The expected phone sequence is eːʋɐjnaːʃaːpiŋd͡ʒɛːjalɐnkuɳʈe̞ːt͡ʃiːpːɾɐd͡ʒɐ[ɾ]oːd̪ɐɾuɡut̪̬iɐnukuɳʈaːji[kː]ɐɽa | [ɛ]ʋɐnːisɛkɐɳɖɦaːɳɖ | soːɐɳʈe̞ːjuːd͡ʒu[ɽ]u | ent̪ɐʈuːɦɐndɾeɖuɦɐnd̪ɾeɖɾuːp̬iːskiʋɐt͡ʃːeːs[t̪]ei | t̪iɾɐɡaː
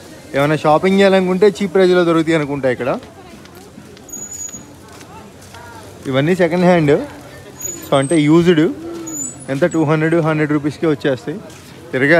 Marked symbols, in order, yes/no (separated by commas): no, yes, no, yes, yes